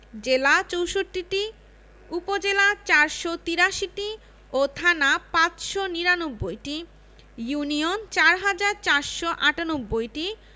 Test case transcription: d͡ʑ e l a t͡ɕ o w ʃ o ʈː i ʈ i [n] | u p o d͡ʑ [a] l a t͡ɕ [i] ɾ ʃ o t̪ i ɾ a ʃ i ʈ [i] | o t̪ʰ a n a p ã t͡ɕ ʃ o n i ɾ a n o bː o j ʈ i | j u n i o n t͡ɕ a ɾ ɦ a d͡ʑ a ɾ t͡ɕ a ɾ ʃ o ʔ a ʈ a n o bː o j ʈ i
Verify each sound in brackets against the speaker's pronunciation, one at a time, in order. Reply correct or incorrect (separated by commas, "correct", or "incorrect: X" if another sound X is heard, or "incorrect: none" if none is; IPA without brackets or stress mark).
incorrect: none, incorrect: e, incorrect: a, correct